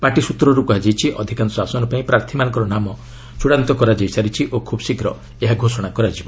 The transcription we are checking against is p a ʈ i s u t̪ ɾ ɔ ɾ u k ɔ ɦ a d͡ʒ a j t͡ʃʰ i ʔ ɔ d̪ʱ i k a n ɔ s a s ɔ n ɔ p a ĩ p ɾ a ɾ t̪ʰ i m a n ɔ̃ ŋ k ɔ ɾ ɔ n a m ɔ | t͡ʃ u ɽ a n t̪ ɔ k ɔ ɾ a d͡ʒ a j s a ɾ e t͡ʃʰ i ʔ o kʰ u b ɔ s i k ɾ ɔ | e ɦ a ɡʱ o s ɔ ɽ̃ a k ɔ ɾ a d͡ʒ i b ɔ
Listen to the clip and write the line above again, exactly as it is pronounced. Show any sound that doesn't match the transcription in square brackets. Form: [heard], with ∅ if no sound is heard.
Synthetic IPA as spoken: p a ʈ i s u t̪ ɾ ɔ ɾ u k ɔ ɦ a d͡ʒ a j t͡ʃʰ i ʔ ɔ d̪ʱ i k a n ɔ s a s ɔ n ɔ p a ĩ p ɾ a ɾ t̪ʰ i m a n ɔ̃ ŋ k ɔ ɾ ɔ n a m ɔ | t͡ʃ u ɽ a n t̪ ɔ k ɔ ɾ a d͡ʒ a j s a ɾ [i] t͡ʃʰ i ʔ o kʰ u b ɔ s i k ɾ ɔ | e ɦ a ɡʱ o s ɔ ɽ̃ a k ɔ ɾ a d͡ʒ i b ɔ

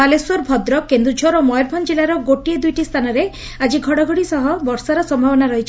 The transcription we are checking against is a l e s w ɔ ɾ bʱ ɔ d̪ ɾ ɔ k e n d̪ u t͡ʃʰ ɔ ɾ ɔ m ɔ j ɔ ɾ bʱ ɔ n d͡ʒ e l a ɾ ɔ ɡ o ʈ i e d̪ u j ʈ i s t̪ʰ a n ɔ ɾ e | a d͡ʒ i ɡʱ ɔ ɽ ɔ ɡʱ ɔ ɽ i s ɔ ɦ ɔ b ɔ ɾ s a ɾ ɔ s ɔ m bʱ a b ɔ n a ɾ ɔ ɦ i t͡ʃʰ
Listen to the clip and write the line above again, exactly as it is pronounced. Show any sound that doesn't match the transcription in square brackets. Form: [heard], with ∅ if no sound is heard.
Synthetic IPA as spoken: a l e s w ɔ ɾ bʱ ɔ d̪ ɾ ɔ k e n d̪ u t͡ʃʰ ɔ ɾ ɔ m ɔ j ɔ ɾ bʱ ɔ n d͡ʒ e l a ɾ ɔ ɡ o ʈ i e d̪ u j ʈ i s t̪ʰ a n ɔ ɾ e | a d͡ʒ i ɡʱ ɔ ɽ ɔ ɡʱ ɔ ɽ i s ɔ ɦ ɔ b ɔ ɾ s a ɾ ɔ s ɔ m bʱ a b ɔ n a ɾ ɔ ɦ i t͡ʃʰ

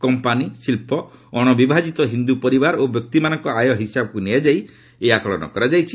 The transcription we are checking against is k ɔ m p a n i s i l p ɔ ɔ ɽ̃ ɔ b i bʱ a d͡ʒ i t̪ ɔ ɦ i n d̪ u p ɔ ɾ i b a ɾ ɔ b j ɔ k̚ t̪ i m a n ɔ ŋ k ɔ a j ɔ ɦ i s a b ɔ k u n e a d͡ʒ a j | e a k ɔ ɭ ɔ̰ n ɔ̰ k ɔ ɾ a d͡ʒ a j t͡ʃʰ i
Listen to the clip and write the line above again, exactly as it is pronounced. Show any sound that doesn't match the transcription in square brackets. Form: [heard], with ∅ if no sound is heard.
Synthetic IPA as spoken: k ɔ m p a n i s i l p ɔ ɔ ɽ̃ ɔ b i bʱ a d͡ʒ i t̪ ɔ ɦ i n d̪ u p ɔ ɾ i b a ɾ [o] b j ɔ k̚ t̪ i m a n ɔ ŋ k ɔ a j ɔ ɦ i s a b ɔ k u n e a d͡ʒ a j | e a k ɔ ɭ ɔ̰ n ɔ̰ k ɔ ɾ a d͡ʒ a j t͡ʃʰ i

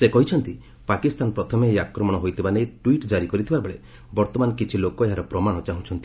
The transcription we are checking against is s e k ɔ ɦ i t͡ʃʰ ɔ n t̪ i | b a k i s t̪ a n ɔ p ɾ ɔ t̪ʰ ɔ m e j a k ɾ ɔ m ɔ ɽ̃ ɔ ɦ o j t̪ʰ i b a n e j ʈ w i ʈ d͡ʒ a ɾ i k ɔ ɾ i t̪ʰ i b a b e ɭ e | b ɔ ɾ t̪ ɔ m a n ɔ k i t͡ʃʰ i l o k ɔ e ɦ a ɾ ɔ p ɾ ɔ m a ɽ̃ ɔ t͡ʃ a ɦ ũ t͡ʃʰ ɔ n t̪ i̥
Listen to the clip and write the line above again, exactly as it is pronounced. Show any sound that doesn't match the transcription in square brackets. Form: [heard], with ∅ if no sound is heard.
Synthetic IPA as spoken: s e k ɔ ɦ i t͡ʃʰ ɔ n t̪ i | [p] a k i s t̪ a n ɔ p ɾ ɔ t̪ʰ ɔ m e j a k ɾ ɔ m ɔ ɽ̃ ɔ ɦ o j t̪ʰ i b a n e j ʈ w i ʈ d͡ʒ a ɾ i k ɔ ɾ i t̪ʰ i b a b e ɭ e | b ɔ ɾ t̪ ɔ m a n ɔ k i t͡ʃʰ i l o k ɔ e ɦ a ɾ ɔ p ɾ ɔ m a ɽ̃ ɔ t͡ʃ a ɦ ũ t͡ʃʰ ɔ n t̪ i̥

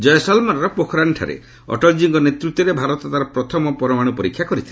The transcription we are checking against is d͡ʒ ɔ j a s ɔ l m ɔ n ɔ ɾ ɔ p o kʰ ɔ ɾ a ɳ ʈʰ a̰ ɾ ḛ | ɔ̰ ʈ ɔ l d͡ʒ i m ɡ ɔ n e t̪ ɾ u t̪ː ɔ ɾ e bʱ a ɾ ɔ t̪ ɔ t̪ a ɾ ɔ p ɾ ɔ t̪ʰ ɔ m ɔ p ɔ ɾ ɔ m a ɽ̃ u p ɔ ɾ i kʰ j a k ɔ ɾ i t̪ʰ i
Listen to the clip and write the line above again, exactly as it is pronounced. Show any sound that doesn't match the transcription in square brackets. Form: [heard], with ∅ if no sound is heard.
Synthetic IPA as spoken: d͡ʒ ɔ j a s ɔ l m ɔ n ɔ ɾ ɔ p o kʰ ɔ ɾ a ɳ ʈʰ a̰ ɾ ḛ | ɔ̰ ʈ ɔ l d͡ʒ i [ŋ] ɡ ɔ n e t̪ ɾ u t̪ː ɔ ɾ e bʱ a ɾ ɔ t̪ ɔ t̪ a ɾ ɔ p ɾ ɔ t̪ʰ ɔ m ɔ p ɔ ɾ ɔ m a ɽ̃ u p ɔ ɾ i kʰ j a k ɔ ɾ i t̪ʰ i

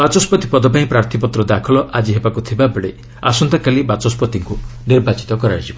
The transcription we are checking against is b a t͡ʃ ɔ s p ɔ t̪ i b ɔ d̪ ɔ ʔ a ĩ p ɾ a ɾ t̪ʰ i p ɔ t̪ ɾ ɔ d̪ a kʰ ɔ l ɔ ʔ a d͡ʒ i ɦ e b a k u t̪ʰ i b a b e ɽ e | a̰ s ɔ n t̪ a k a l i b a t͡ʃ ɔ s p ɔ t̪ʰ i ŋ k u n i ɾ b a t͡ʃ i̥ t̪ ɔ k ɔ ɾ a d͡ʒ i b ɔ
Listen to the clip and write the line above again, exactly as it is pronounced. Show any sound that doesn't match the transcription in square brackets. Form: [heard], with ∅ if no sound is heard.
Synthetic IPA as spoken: b a t͡ʃ ɔ s p ɔ t̪ i [p] ɔ d̪ ɔ [p] a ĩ p ɾ a ɾ t̪ʰ i p ɔ t̪ ɾ ɔ d̪ a kʰ ɔ l ɔ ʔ a d͡ʒ i ɦ e b a k u t̪ʰ i b a b e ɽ e | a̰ s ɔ n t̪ a k a l i b a t͡ʃ ɔ s p ɔ [t̪] i ŋ k u n i ɾ b a t͡ʃ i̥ t̪ ɔ k ɔ ɾ a d͡ʒ i b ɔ

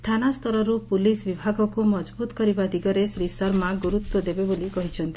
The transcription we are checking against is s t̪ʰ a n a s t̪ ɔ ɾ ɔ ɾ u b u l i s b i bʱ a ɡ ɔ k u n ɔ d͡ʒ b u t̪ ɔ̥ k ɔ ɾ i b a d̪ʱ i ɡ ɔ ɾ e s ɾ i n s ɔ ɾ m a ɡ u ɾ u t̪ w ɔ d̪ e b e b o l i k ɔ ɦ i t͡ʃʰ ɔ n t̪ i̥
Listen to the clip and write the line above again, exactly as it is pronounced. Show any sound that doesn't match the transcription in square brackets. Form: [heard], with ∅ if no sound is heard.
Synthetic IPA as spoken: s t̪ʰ a n a s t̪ ɔ ɾ ɔ ɾ u [p] u l i s b i bʱ a ɡ ɔ k u [m] ɔ d͡ʒ b u t̪ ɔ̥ k ɔ ɾ i b a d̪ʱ i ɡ ɔ ɾ e s ɾ i [∅] s ɔ ɾ m a ɡ u ɾ u t̪ w ɔ d̪ e b e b o l i k ɔ ɦ i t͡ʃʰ ɔ n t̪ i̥

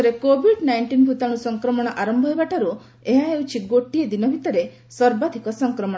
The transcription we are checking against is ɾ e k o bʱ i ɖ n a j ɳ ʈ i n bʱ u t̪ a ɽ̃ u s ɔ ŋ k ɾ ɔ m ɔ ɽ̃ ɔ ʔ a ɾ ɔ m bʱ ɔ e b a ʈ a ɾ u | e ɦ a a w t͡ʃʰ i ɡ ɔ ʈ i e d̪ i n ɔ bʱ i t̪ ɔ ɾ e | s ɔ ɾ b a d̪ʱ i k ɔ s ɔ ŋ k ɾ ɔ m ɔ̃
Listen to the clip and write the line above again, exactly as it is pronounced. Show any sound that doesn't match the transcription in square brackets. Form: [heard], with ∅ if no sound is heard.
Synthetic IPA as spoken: ɾ e k o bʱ i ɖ n a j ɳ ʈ i n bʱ u t̪ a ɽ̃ u s ɔ ŋ k ɾ ɔ m ɔ ɽ̃ ɔ ʔ a ɾ ɔ m bʱ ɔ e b a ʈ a ɾ u | e ɦ a [e] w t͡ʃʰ i ɡ [o] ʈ i e d̪ i n ɔ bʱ i t̪ ɔ ɾ e | s ɔ ɾ b a d̪ʱ i k ɔ s ɔ ŋ k ɾ ɔ m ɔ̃

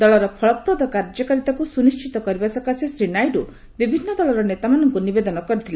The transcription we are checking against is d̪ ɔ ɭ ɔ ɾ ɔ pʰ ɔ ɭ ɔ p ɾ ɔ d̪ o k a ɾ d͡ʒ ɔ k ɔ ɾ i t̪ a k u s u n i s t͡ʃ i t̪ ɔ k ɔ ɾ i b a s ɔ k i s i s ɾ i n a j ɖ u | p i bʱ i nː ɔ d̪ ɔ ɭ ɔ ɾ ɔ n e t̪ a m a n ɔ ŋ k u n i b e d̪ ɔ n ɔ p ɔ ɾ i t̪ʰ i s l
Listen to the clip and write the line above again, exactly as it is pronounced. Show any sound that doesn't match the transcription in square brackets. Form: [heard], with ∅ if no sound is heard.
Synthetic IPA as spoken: d̪ ɔ ɭ ɔ ɾ ɔ pʰ ɔ ɭ ɔ p ɾ ɔ d̪ [ɔ] k a ɾ d͡ʒ ɔ k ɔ ɾ i t̪ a k u s u n i s t͡ʃ i t̪ ɔ k ɔ ɾ i b a s ɔ k [a] s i s ɾ i n a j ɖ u | [b] i bʱ i nː ɔ d̪ ɔ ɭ ɔ ɾ ɔ n e t̪ a m a n ɔ ŋ k u n i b e d̪ ɔ n ɔ [k] ɔ ɾ i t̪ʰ i [∅] l

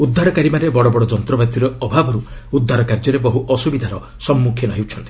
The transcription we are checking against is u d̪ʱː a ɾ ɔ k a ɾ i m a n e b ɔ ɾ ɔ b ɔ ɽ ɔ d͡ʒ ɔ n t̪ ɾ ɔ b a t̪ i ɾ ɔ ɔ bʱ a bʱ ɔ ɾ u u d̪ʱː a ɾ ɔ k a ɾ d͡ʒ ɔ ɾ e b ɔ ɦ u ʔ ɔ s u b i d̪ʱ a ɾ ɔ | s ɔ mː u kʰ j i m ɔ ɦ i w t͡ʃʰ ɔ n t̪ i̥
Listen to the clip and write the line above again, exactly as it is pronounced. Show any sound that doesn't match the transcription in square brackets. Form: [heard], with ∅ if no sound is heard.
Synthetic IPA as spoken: u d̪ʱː a ɾ ɔ k a ɾ i m a n e b ɔ [ɽ] ɔ b ɔ ɽ ɔ d͡ʒ ɔ n t̪ ɾ ɔ b a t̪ i ɾ ɔ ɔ bʱ a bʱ ɔ ɾ u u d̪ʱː a ɾ ɔ k a ɾ d͡ʒ ɔ ɾ e b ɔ ɦ u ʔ ɔ s u b i d̪ʱ a ɾ ɔ | s ɔ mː u kʰ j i [n] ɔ ɦ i w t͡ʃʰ ɔ n t̪ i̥

